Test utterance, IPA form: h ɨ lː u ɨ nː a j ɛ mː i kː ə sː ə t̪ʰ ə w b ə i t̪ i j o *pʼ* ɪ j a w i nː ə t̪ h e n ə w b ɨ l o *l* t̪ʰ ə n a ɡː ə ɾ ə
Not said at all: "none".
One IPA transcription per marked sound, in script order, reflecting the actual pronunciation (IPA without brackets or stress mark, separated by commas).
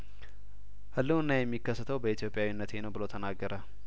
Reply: pʼ, none